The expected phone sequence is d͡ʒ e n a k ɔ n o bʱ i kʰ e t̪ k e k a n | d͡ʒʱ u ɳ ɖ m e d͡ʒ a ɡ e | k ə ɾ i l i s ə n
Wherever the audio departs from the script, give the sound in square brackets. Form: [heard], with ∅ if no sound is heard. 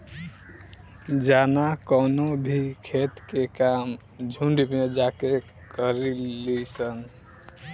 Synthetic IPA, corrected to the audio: d͡ʒ [a] n a k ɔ n o bʱ i kʰ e t̪ k e k a [m] | d͡ʒʱ u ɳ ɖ m e d͡ʒ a [k] e | k ə ɾ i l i s ə n